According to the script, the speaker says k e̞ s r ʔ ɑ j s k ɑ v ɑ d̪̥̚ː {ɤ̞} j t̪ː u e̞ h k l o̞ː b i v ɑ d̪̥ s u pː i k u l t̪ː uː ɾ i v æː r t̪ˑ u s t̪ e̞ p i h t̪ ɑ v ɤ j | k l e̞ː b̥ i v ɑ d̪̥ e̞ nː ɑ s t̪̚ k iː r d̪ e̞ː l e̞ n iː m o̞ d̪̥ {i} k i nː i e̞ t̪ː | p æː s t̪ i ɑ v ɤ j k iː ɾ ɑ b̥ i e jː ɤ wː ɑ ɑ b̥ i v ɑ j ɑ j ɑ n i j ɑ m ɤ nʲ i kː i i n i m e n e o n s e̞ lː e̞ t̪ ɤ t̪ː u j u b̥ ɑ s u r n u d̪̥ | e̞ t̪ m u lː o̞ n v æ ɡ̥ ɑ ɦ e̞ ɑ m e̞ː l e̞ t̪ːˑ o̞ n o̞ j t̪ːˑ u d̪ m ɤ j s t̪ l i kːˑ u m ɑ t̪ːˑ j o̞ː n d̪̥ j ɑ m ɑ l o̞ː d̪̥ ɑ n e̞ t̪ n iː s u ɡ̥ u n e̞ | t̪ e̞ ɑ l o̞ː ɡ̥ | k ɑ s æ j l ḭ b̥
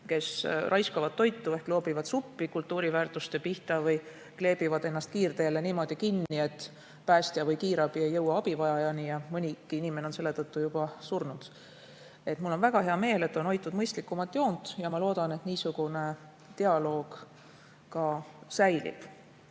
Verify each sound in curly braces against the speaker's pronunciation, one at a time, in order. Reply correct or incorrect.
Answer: incorrect: o̞, correct

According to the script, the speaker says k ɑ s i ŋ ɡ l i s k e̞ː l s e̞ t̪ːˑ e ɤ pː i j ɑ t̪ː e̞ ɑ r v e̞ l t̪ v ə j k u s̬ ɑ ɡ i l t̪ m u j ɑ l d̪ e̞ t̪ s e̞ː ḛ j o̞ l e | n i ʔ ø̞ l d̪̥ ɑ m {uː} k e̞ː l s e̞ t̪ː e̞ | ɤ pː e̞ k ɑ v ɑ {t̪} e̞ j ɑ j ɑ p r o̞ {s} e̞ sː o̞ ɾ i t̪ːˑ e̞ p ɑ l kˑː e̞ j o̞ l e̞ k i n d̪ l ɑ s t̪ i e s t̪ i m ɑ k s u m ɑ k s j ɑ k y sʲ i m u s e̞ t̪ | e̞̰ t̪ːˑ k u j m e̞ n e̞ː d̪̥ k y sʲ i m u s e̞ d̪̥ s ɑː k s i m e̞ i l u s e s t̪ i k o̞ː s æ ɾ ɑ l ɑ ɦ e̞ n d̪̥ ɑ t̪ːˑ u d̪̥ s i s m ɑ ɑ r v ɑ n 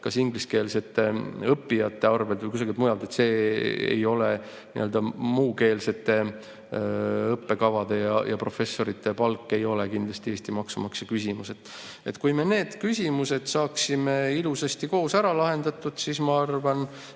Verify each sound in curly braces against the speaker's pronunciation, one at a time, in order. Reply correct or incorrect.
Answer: correct, incorrect: d̪, incorrect: f

